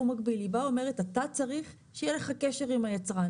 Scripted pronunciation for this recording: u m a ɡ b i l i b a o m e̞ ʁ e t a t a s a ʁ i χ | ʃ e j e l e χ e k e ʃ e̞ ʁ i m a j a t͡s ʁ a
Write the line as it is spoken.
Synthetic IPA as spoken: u m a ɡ b i l i b a o m e̞ ʁ e t a t a t͡s a ʁ i χ | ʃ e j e l e χ a k e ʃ e̞ ʁ i m a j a t͡s ʁ a